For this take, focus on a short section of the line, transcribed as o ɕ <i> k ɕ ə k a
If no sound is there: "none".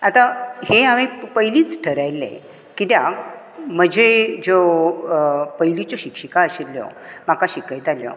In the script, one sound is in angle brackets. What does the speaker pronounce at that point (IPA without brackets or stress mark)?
i